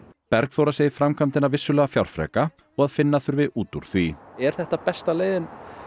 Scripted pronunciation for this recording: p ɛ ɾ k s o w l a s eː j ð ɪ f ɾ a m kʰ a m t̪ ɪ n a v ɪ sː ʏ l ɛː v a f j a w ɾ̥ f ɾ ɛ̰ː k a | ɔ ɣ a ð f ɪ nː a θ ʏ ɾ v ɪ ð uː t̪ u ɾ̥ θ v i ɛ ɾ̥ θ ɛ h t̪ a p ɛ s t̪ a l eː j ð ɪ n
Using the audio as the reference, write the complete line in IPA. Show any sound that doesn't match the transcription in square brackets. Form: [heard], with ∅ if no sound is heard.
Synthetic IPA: p ɛ ɾ k [θ] o w [ɾ] a s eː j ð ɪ f ɾ a m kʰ a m t̪ ɪ n a v ɪ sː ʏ l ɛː [ɣ] a f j a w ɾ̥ f ɾ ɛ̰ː k a | ɔ ɣ a ð f ɪ nː a θ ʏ ɾ v ɪ ð uː t̪ u ɾ̥ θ v i ɛ ɾ̥ θ ɛ h t̪ a p ɛ s t̪ a l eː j ð ɪ n